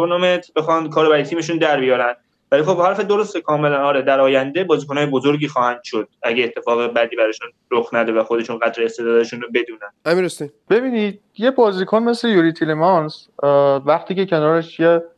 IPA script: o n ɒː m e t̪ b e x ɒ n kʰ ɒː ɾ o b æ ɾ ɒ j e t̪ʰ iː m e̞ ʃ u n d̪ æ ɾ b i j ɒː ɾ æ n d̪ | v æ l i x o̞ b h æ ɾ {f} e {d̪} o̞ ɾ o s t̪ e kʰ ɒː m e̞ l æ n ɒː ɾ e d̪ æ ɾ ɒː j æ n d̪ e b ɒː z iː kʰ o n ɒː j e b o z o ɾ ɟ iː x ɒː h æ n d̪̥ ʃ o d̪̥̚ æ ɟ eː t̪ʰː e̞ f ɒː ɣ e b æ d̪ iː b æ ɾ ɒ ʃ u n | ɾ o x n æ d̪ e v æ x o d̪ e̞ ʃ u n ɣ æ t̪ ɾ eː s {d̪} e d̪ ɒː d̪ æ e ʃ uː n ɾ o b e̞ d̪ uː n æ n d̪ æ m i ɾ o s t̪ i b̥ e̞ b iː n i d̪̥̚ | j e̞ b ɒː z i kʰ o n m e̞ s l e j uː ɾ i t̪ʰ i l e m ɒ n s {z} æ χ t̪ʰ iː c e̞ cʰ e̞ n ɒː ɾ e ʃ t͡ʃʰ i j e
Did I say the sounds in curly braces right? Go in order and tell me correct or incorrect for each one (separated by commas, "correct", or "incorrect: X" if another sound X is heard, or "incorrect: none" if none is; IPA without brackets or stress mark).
correct, correct, incorrect: t̪, incorrect: v